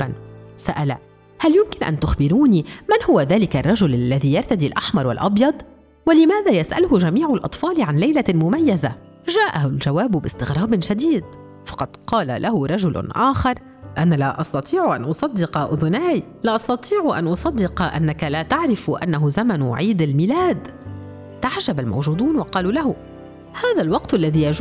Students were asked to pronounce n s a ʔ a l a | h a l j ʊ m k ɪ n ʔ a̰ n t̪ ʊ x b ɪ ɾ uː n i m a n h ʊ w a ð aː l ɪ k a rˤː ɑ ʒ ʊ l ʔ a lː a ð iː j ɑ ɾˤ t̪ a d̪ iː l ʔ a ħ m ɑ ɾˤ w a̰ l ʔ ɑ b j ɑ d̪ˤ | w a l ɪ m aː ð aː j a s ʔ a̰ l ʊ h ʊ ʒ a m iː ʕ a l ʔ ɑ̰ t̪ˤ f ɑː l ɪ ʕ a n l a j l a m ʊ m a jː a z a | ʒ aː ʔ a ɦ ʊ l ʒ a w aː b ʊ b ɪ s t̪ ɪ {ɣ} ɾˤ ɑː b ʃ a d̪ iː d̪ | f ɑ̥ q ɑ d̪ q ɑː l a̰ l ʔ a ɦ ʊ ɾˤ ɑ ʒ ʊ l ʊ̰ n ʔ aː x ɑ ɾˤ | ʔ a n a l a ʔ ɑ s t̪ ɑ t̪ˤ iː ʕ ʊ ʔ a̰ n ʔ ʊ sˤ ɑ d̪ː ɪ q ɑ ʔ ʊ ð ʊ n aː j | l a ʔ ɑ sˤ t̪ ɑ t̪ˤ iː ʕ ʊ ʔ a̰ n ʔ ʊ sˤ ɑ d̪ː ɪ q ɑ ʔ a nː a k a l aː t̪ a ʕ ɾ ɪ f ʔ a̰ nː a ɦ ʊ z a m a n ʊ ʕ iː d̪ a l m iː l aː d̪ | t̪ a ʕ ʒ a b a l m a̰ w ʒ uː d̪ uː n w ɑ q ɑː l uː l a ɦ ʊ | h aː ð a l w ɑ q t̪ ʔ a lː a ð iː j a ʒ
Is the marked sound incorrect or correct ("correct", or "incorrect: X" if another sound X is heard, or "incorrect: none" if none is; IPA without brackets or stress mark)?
correct